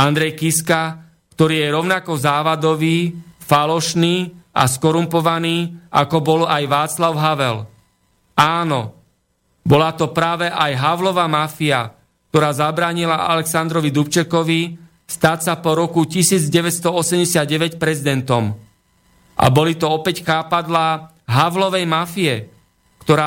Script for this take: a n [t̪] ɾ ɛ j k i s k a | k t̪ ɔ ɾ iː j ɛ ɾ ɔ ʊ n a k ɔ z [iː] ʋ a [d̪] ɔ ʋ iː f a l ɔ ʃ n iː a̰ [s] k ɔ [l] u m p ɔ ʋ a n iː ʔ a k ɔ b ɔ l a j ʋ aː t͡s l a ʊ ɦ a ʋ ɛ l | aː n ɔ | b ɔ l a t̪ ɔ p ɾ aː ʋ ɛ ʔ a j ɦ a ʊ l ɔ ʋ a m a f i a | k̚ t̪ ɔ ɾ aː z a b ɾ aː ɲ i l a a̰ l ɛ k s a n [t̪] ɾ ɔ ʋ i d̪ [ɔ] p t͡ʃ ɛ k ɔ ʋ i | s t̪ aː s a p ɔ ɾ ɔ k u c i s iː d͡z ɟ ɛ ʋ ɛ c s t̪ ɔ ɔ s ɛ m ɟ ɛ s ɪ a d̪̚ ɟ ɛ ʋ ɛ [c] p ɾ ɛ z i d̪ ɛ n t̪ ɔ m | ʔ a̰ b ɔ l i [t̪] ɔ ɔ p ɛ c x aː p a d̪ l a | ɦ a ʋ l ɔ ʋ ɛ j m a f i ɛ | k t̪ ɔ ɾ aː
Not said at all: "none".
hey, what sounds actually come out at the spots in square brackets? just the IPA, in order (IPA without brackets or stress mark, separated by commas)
d̪, aː, d̪, s, ɾ, d̪, u, c, t̪